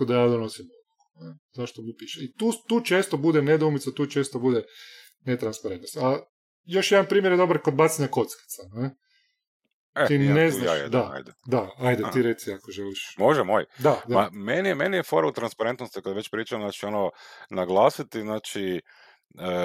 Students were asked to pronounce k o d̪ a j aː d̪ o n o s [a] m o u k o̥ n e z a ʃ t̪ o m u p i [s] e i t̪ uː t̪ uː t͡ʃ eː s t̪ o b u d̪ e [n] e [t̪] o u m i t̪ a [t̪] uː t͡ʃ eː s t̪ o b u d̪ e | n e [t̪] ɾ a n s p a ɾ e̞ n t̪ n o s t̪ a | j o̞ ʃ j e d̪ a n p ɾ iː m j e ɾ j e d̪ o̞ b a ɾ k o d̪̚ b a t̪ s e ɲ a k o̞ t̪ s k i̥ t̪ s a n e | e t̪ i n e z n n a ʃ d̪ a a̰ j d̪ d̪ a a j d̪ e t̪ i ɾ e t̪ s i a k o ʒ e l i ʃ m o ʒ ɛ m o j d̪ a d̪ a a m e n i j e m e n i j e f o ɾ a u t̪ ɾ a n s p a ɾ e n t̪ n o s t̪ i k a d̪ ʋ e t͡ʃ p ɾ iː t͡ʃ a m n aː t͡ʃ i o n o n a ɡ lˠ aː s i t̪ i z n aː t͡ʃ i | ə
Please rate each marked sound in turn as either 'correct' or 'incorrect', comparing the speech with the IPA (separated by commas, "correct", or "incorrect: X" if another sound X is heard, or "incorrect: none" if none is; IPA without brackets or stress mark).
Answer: incorrect: i, incorrect: ʃ, correct, incorrect: d̪, correct, correct